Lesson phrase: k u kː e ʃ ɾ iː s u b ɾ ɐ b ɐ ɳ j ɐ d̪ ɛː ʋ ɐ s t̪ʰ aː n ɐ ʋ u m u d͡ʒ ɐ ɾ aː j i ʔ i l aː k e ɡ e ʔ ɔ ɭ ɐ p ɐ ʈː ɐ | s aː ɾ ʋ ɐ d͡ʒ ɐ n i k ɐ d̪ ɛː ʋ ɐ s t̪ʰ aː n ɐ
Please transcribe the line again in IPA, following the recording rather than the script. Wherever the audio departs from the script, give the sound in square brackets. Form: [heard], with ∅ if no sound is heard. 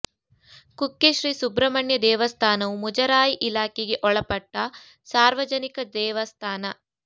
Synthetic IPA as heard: k u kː e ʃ ɾ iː s u b ɾ ɐ [m] ɐ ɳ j ɐ d̪ ɛː ʋ ɐ s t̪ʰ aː n ɐ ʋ u m u d͡ʒ ɐ ɾ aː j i ʔ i l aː k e ɡ e ʔ ɔ ɭ ɐ p ɐ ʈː ɐ | s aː ɾ ʋ ɐ d͡ʒ ɐ n i k ɐ d̪ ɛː ʋ ɐ s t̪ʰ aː n ɐ